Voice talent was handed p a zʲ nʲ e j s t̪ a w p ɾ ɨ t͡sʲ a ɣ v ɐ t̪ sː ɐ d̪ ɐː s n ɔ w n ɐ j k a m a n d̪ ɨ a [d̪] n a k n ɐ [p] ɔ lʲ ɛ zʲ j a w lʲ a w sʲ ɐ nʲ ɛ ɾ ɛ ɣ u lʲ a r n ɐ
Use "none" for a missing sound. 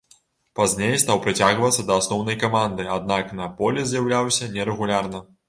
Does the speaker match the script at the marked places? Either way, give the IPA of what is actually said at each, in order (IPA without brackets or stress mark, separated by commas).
d̪, p